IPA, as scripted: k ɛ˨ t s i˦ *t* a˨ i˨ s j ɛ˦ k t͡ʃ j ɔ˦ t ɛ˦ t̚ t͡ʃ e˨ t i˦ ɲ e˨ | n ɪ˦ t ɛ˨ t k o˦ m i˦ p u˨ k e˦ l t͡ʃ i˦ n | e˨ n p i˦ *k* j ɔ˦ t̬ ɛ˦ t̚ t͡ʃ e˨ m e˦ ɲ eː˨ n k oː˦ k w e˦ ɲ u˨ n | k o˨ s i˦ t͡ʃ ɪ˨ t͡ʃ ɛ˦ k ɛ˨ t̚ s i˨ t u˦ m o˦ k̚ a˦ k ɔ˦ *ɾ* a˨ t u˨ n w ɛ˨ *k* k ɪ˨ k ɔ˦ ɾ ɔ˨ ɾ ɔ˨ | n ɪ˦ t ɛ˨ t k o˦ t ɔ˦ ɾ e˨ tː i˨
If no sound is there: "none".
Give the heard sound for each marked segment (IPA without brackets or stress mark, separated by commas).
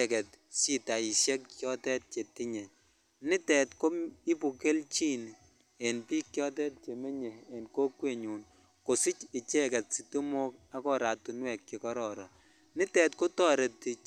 t, k, ɾ, k